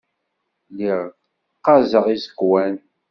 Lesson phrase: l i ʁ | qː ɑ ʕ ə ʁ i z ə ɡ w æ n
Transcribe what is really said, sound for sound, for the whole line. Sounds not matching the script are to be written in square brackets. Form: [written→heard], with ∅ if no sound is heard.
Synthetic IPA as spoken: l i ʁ | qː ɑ [ʕ→z] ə ʁ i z ə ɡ w æ n